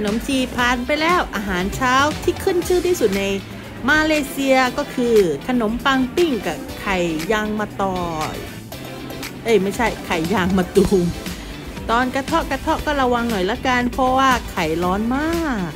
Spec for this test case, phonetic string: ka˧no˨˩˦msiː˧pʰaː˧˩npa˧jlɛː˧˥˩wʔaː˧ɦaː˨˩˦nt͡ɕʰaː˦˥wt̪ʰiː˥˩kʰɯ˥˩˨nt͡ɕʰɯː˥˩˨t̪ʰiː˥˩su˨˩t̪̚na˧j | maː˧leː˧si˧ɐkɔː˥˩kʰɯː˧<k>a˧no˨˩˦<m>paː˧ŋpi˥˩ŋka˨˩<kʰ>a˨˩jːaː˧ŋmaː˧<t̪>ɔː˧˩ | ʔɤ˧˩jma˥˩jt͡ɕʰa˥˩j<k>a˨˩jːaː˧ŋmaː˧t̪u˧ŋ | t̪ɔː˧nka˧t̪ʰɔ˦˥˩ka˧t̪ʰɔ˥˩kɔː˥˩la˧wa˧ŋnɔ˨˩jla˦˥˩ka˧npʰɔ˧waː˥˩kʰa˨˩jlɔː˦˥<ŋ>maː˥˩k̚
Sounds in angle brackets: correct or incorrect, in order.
incorrect: kʰ, correct, correct, correct, incorrect: kʰ, incorrect: n

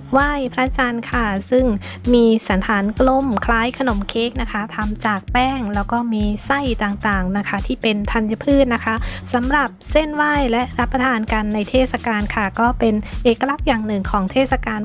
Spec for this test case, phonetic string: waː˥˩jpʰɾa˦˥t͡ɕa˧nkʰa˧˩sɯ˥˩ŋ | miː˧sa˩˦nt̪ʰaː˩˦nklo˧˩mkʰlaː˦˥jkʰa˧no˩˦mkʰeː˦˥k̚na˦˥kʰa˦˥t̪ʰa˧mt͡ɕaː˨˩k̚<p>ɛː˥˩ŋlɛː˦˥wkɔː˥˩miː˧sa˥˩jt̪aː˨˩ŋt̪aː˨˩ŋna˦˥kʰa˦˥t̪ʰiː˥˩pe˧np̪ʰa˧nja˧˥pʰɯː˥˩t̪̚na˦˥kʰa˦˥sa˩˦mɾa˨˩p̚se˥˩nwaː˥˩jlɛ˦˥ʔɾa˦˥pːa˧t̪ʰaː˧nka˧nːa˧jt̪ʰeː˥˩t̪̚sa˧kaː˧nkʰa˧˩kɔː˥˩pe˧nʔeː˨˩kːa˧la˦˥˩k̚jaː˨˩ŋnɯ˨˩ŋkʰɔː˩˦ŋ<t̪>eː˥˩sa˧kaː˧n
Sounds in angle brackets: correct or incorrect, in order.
correct, incorrect: t̪ʰ

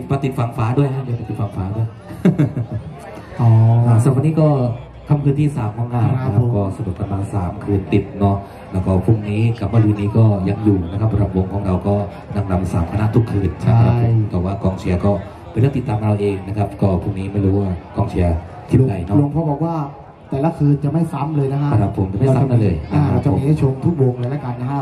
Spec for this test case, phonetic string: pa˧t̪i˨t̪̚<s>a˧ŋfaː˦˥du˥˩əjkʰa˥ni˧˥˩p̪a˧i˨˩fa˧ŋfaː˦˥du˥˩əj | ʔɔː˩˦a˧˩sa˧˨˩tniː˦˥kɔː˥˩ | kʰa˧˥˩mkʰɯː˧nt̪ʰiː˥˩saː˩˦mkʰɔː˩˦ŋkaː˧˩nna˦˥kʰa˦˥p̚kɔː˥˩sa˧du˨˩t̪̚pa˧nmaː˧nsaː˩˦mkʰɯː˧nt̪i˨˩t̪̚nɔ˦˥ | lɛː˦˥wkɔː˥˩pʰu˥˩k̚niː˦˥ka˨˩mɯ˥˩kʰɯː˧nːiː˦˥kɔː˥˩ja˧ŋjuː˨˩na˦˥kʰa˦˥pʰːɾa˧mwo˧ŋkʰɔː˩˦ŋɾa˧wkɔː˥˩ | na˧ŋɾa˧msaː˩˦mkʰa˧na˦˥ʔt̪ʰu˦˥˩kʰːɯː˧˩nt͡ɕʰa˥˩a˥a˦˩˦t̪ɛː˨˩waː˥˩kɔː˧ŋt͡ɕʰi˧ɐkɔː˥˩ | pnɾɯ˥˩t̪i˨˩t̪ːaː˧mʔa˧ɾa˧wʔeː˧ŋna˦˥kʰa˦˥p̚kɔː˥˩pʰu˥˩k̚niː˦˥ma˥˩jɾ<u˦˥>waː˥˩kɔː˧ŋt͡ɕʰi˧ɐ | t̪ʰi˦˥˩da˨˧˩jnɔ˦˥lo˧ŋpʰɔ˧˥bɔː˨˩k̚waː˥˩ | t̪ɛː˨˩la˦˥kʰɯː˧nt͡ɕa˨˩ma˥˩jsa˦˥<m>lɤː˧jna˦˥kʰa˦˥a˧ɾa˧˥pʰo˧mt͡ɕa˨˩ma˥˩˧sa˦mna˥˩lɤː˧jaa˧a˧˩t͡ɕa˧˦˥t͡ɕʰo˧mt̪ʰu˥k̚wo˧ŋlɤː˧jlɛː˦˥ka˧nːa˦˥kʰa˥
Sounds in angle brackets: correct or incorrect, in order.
incorrect: f, incorrect: uː˦˥, correct

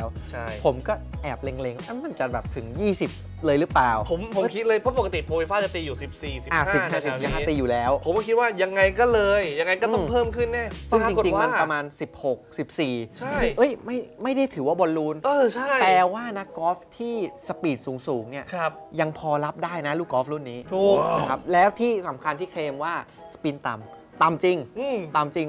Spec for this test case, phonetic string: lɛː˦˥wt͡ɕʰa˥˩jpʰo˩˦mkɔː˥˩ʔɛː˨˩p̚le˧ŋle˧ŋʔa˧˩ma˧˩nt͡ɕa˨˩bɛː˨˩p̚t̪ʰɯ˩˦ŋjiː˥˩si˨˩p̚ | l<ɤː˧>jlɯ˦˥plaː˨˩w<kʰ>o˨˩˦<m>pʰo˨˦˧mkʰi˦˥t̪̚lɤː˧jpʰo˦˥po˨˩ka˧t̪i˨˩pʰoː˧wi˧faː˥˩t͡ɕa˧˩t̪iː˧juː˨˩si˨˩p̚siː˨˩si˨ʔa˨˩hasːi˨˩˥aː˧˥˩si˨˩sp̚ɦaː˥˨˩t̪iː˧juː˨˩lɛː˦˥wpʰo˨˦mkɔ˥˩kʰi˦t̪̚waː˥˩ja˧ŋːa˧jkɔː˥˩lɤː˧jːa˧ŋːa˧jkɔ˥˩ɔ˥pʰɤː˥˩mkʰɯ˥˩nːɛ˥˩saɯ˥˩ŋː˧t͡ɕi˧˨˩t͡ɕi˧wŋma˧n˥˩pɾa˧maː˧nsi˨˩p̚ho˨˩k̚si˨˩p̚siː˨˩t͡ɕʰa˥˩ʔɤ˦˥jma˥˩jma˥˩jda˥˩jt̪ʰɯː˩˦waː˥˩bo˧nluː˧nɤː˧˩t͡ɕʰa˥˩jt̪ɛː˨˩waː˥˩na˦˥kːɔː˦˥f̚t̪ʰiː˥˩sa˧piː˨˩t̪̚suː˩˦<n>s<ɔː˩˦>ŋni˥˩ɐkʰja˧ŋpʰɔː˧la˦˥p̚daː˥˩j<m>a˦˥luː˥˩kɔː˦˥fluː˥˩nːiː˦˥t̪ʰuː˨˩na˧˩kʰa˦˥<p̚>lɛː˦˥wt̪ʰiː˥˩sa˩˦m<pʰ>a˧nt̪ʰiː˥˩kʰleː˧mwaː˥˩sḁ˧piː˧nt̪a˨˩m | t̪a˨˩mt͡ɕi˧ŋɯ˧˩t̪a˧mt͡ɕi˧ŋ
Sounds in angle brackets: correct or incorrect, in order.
correct, incorrect: pʰ, correct, incorrect: ŋ, incorrect: uː˩˦, incorrect: n, correct, incorrect: kʰ

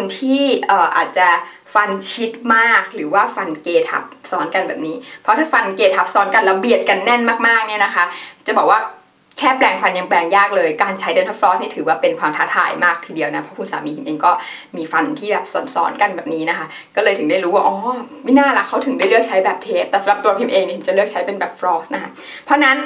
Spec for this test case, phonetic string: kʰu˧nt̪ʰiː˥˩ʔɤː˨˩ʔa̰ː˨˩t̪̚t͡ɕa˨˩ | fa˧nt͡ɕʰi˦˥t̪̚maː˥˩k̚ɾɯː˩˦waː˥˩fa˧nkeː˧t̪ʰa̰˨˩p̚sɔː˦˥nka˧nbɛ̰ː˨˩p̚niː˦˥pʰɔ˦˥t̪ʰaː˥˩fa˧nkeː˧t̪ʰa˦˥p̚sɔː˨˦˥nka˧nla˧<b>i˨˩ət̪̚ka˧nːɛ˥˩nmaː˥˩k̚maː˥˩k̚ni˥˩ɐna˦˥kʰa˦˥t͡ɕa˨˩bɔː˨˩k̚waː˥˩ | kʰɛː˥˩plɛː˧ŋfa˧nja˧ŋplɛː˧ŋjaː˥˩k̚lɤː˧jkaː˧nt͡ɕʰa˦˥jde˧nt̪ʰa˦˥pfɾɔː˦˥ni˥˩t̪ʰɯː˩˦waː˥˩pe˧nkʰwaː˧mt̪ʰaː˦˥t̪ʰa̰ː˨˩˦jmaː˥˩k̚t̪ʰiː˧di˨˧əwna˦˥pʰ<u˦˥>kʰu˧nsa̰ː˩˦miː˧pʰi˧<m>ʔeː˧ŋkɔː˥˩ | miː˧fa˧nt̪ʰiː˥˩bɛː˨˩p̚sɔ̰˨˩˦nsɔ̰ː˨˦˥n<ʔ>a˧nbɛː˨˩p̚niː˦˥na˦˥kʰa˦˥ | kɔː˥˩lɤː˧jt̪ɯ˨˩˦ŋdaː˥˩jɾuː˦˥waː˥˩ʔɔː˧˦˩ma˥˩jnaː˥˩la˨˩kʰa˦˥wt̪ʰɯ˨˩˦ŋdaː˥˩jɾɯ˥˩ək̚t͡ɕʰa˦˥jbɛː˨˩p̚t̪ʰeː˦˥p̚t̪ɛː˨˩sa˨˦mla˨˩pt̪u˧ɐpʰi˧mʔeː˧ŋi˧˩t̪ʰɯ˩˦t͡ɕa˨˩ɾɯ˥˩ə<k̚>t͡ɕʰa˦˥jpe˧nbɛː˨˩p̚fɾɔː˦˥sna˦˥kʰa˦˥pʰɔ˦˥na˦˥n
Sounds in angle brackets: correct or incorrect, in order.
correct, incorrect: ɔ˦˥, correct, incorrect: k, correct

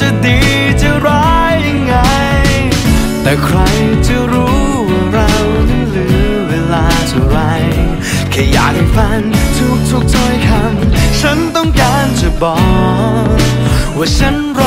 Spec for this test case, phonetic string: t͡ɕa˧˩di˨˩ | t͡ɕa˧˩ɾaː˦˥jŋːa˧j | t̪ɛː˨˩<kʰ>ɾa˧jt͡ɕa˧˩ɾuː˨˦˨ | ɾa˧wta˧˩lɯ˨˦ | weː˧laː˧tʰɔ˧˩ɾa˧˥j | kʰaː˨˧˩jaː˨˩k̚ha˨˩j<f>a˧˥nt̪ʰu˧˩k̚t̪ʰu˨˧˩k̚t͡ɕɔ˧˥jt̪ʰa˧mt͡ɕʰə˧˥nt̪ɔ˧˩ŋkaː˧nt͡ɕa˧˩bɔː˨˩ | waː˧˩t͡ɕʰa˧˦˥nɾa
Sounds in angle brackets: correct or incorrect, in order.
correct, correct

